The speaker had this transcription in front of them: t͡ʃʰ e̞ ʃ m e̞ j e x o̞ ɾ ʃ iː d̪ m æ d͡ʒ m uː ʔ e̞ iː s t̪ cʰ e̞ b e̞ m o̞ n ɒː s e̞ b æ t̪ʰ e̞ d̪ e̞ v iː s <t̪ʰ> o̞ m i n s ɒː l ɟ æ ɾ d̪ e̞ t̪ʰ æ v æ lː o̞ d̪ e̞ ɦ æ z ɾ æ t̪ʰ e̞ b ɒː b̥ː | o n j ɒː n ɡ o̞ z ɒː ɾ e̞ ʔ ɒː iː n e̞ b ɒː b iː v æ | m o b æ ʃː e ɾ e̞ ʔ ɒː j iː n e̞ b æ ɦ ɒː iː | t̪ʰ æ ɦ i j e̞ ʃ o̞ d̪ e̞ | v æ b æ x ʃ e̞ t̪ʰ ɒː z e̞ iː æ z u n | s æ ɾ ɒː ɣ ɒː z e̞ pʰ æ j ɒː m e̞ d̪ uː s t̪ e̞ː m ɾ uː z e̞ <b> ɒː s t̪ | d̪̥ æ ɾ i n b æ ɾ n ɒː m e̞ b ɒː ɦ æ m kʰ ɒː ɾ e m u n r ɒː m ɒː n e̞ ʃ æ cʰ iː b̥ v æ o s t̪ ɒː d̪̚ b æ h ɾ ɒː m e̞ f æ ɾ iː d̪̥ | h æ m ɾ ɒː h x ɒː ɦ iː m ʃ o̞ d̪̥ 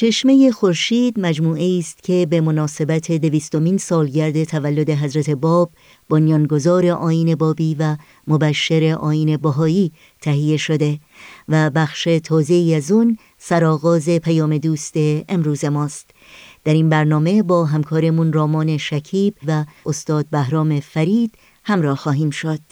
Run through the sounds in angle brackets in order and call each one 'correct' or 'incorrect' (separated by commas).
incorrect, incorrect